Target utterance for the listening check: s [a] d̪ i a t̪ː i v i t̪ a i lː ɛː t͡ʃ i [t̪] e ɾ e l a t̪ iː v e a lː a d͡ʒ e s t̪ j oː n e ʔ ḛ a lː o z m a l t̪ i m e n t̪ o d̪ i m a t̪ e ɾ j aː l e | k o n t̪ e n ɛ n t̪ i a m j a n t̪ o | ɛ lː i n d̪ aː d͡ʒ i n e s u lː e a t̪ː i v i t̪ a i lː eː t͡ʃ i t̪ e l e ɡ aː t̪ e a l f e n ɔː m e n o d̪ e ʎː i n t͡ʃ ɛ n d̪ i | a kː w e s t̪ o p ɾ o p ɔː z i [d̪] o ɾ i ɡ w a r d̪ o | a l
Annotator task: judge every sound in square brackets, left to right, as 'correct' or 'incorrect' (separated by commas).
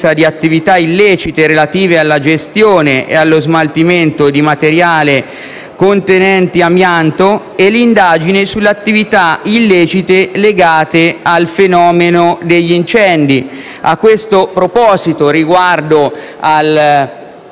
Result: correct, correct, incorrect